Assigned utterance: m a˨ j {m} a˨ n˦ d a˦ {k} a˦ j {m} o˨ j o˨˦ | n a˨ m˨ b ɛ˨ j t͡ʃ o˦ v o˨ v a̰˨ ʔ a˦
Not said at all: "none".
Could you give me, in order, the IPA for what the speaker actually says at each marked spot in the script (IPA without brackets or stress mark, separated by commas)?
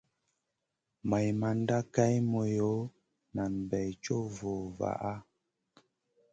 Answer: m, k, m